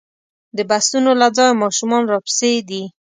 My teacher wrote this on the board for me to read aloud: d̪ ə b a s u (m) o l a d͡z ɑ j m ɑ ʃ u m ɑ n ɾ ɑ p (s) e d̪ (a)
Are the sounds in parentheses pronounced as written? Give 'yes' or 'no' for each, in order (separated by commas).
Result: no, yes, no